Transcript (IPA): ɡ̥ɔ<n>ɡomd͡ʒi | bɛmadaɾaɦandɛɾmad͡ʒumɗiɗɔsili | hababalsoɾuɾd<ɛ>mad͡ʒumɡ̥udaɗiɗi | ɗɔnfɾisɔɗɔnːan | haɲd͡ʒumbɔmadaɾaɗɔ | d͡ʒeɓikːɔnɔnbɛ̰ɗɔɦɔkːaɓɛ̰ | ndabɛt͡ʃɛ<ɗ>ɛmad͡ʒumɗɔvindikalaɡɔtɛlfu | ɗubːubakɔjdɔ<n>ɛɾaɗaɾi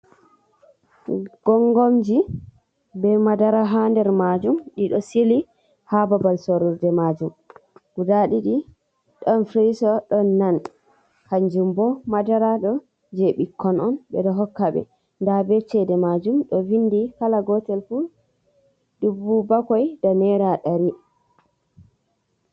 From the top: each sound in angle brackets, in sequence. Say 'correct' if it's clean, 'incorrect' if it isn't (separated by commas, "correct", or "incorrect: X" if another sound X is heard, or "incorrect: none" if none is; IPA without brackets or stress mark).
incorrect: ŋ, correct, incorrect: d, correct